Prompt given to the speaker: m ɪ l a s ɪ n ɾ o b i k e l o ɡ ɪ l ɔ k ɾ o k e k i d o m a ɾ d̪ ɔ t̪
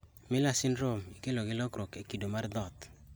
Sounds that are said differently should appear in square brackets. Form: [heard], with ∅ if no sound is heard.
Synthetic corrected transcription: m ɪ l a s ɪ n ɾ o [m] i k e l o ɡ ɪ l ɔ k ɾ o k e k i d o m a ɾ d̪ ɔ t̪